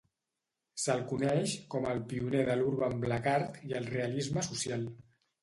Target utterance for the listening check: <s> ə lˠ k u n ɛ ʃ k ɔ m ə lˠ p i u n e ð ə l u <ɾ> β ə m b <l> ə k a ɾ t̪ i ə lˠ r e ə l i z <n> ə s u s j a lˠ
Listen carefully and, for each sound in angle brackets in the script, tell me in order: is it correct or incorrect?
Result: correct, correct, correct, incorrect: m

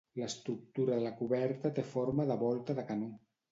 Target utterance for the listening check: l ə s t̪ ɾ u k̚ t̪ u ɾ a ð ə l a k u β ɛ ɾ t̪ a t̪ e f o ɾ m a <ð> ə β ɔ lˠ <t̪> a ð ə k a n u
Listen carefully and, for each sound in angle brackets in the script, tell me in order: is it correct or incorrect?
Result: correct, correct

